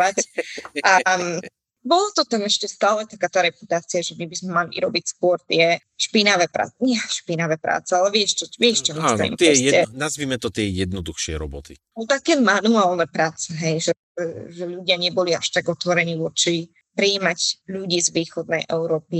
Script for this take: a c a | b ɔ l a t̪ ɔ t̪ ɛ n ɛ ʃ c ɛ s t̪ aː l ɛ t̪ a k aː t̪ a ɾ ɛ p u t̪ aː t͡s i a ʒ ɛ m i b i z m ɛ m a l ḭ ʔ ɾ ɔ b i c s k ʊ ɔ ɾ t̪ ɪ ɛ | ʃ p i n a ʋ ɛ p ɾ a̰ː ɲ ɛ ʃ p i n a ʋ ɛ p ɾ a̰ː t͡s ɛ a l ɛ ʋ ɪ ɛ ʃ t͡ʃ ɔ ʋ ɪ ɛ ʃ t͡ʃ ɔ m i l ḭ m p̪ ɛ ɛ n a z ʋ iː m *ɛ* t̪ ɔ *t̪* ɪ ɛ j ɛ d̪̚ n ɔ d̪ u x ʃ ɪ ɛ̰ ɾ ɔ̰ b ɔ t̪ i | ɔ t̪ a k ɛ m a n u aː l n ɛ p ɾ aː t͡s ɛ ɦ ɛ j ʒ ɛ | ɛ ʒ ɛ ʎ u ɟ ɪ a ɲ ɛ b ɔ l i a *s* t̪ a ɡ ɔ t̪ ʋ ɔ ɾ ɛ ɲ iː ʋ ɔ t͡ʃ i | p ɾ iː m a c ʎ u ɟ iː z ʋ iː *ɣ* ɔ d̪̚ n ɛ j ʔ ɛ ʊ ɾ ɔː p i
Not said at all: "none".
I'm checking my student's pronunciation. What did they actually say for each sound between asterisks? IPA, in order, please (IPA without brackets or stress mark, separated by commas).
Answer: ɛ, t̪, ʃ, x